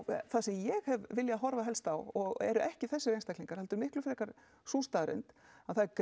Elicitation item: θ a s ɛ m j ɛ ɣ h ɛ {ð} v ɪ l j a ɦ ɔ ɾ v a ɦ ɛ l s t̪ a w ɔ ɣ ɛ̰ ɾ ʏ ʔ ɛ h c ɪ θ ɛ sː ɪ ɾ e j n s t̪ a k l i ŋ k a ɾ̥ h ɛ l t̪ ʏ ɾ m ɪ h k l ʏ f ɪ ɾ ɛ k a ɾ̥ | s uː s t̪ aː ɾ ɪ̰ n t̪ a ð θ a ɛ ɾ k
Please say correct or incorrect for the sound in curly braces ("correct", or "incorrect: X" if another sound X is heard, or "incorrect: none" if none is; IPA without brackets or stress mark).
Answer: incorrect: v